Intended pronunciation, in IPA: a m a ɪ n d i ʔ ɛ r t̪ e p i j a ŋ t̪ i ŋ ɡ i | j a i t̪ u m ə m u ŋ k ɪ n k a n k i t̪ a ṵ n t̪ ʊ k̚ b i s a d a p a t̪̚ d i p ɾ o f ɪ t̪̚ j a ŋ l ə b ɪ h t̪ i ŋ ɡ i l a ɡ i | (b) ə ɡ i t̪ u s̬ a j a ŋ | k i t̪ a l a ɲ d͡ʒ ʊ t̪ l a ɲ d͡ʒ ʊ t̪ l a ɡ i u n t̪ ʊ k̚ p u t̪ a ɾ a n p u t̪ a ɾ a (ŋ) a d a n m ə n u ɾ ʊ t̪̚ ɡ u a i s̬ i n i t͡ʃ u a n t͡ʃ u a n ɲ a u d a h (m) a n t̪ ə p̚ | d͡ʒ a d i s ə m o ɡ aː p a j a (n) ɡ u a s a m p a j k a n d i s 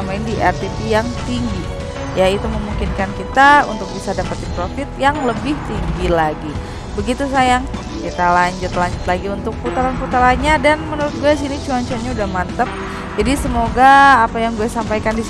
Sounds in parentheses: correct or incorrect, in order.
correct, incorrect: ɲ, correct, incorrect: ŋ

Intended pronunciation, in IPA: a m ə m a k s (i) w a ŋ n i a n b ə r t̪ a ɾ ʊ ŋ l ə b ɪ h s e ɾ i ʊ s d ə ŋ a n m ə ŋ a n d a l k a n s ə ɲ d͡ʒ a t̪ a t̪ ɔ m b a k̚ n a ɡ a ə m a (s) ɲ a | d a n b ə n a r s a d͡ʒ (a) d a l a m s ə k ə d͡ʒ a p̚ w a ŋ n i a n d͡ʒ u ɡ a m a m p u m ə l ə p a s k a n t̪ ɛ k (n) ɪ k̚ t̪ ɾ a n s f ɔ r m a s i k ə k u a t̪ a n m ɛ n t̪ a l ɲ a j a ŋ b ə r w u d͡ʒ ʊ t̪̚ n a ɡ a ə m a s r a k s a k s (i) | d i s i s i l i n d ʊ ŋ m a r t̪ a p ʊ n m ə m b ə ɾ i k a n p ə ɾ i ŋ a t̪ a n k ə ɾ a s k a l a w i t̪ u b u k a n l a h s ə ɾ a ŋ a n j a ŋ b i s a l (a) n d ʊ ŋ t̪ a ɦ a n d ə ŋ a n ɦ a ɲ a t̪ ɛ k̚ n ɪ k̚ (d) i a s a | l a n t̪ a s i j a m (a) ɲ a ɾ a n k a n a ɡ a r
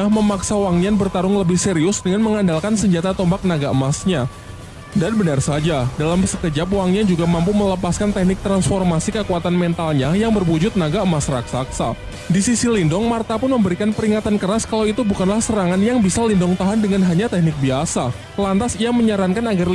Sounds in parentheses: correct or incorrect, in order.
incorrect: a, correct, correct, correct, incorrect: a, incorrect: i, incorrect: b, incorrect: ə

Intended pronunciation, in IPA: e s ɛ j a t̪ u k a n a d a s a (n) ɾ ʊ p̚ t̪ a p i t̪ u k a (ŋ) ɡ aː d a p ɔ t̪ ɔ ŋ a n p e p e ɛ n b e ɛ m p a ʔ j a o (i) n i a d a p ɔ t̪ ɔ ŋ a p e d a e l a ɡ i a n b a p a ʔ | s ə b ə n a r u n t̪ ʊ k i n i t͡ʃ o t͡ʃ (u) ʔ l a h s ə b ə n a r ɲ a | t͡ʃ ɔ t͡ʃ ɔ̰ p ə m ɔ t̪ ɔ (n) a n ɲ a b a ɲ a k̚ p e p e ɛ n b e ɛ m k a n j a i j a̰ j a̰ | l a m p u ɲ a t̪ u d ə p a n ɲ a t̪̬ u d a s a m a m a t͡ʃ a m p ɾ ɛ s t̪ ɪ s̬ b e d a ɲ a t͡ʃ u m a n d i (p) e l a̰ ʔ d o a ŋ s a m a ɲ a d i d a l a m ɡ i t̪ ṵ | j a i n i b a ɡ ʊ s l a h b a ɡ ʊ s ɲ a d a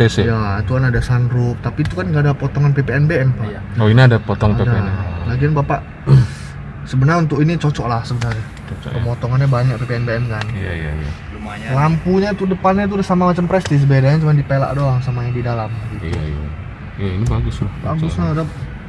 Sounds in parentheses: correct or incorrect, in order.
correct, incorrect: n, correct, incorrect: ɔ, incorrect: ŋ, correct

